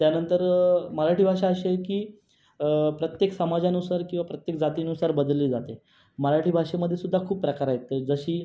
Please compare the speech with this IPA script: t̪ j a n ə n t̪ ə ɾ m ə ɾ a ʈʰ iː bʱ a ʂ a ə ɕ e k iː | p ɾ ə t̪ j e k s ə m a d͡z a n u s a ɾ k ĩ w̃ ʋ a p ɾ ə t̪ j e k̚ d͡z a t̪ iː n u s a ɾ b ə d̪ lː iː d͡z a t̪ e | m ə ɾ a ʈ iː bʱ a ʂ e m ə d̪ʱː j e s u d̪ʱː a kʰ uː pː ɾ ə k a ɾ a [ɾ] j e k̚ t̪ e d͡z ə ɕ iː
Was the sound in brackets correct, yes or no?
no